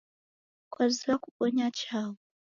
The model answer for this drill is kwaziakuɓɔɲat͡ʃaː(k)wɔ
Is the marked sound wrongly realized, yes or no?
yes